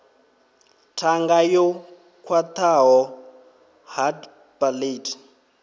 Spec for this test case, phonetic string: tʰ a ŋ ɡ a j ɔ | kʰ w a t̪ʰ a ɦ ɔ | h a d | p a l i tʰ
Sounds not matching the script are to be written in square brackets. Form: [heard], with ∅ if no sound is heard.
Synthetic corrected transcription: tʰ a ŋ ɡ a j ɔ | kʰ w a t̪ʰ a ɦ ɔ | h a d | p a l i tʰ